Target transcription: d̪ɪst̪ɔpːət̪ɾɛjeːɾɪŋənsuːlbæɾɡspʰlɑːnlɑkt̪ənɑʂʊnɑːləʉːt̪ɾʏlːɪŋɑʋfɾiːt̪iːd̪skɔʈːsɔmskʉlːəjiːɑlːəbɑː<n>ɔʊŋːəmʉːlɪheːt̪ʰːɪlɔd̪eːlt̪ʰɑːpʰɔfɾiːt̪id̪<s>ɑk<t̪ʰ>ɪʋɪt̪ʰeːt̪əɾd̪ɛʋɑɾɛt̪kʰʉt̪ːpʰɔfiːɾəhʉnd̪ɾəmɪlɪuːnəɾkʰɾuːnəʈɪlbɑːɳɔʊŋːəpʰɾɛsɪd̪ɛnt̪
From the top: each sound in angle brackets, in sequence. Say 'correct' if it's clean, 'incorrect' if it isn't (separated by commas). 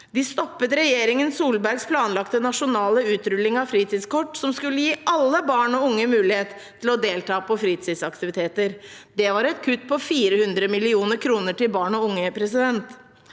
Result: incorrect, correct, incorrect